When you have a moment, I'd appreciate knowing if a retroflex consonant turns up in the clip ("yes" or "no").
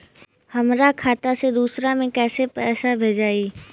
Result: no